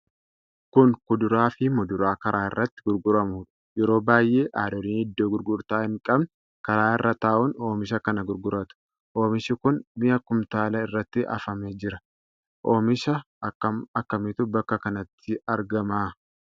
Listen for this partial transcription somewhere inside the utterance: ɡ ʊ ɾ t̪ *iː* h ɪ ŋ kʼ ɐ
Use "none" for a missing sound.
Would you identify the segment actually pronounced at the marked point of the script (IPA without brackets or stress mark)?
aː